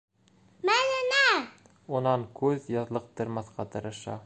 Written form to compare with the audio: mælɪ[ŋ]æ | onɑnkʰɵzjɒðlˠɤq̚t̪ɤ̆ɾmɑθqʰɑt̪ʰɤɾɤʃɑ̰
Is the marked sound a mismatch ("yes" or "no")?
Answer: yes